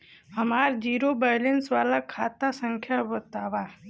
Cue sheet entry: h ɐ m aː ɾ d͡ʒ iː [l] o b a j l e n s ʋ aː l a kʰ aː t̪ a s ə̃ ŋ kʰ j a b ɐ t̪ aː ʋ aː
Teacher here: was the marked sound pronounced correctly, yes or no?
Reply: no